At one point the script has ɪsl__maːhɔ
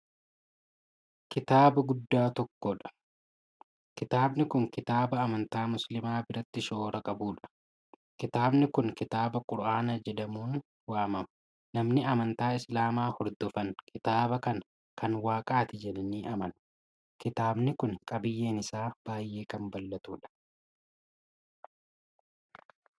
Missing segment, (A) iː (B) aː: B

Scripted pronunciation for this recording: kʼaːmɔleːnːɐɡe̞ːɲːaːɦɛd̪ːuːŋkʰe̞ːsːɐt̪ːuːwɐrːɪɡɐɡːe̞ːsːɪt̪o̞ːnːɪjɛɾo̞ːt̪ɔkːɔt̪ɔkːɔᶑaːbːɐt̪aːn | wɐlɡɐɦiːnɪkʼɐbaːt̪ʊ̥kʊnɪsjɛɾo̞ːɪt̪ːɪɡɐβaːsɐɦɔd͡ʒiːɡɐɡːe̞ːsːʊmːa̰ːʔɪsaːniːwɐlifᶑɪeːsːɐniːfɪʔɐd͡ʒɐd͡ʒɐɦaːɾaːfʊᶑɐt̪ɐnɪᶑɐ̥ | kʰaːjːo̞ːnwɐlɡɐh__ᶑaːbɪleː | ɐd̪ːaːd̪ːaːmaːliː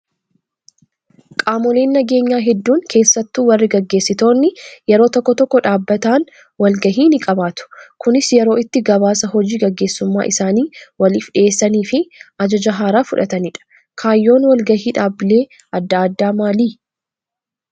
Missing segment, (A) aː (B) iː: B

